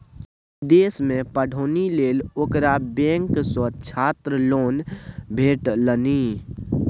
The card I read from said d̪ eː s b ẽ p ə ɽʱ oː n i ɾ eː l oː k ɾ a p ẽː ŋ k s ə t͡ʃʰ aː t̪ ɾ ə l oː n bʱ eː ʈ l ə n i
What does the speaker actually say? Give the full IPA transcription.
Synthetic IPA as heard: d̪ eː s m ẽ p ə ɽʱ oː n i l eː l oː k ɾ a b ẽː ŋ k s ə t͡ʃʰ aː t̪ ɾ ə l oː n bʱ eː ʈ l ə n i